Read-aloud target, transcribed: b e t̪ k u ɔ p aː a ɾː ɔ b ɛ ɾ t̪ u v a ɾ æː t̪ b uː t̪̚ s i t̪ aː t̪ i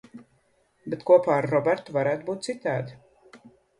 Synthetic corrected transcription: b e t̪ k u ɔ p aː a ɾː ɔ b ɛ ɾ t̪ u v a ɾ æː t̪ b uː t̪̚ s i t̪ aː d̪ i